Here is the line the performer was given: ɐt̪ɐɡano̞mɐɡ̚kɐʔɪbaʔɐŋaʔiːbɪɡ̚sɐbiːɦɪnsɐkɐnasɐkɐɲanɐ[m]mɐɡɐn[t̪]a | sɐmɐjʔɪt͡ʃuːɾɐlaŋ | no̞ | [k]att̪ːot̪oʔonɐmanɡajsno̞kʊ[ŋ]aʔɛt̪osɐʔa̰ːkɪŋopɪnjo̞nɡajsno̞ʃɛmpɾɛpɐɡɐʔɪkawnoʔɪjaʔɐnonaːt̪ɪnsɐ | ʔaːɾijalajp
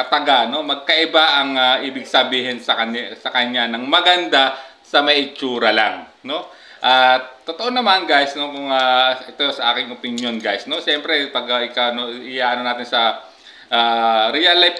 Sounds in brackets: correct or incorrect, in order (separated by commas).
incorrect, incorrect, incorrect, correct